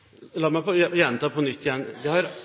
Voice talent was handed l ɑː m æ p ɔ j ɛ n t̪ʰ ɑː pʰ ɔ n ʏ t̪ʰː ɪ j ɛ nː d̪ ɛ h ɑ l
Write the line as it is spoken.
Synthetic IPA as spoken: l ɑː m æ p ɔ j ɛ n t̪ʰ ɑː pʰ ɔ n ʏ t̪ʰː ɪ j ɛ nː d̪ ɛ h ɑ ɾ